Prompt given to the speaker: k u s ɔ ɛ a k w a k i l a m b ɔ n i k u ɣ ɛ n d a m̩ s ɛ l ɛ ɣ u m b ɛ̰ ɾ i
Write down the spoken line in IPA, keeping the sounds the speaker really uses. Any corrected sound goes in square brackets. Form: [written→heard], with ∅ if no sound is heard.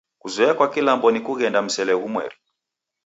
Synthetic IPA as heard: k u [s→z] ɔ ɛ a k w a k i l a m b ɔ n i k u ɣ ɛ n d a m̩ s ɛ l ɛ ɣ u m [b→w] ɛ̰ ɾ i